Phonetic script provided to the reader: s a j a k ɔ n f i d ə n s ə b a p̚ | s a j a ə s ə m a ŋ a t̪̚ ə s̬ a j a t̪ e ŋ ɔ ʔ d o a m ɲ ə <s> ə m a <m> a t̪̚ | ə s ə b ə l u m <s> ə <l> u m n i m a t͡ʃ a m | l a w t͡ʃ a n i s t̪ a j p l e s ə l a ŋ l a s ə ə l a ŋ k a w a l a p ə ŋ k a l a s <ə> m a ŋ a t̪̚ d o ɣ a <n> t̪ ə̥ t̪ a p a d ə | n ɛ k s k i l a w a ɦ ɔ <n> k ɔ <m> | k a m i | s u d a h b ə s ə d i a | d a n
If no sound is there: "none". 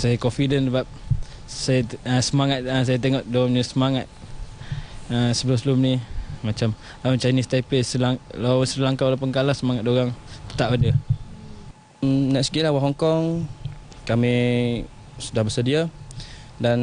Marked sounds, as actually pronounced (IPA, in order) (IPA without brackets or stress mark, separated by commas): s, ŋ, s, l, ə, ŋ, ŋ, ŋ